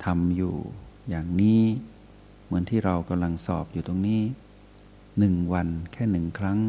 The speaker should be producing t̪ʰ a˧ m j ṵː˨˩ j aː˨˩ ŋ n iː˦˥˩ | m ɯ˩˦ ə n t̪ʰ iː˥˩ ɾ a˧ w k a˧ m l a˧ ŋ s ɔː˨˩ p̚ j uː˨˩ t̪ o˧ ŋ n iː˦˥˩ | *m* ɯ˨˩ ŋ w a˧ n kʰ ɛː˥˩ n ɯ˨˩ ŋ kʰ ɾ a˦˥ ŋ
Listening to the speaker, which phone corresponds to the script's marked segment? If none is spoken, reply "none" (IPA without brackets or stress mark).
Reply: n